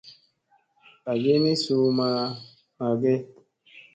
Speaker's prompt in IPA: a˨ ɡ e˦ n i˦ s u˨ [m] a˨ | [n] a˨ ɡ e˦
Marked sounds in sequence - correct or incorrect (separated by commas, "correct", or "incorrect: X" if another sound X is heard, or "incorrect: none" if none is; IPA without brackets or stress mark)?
correct, incorrect: m